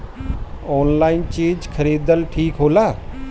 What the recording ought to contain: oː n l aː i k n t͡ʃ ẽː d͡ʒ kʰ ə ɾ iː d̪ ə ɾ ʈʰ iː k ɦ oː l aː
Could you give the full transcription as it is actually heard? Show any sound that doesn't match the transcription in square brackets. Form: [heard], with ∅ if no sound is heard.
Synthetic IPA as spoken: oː n l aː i [∅] n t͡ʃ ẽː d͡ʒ kʰ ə ɾ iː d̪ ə [l] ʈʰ iː k ɦ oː l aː